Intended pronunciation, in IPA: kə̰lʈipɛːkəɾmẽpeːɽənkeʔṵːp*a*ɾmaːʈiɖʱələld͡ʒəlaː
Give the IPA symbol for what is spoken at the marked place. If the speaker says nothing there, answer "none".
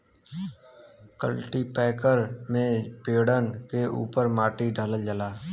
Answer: ə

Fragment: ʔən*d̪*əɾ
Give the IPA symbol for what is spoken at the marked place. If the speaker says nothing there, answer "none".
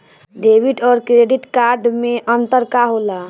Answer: t̪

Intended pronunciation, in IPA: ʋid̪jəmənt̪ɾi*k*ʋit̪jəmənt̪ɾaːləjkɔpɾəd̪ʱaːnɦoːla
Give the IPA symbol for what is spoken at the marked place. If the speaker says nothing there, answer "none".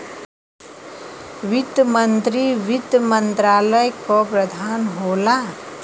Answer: none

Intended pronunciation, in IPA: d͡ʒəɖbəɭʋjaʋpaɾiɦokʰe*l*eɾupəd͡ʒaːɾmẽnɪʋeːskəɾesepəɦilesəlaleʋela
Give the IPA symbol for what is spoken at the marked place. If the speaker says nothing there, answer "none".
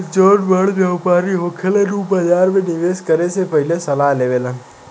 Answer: l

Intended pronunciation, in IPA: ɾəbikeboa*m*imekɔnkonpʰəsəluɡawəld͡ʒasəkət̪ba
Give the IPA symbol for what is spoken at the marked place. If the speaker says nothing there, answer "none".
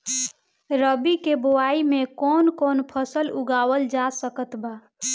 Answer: none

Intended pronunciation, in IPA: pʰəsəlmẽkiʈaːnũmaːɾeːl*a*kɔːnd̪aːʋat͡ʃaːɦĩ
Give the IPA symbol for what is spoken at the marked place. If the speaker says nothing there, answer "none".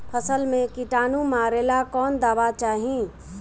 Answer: a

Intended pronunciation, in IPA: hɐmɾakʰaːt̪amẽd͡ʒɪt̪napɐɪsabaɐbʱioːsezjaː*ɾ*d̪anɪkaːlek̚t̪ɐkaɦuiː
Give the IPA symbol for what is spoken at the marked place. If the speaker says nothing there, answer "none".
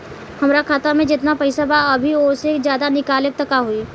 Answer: none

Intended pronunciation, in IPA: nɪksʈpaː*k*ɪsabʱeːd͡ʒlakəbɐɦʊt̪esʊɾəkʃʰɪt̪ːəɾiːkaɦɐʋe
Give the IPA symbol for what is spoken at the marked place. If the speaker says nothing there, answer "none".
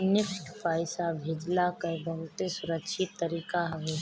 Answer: none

